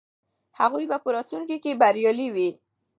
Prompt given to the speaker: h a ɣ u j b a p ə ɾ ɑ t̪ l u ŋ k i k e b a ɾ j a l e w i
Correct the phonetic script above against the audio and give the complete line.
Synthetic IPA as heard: h a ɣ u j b a p ə ɾ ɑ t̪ l u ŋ k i k e b a ɾ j ɑ l i w i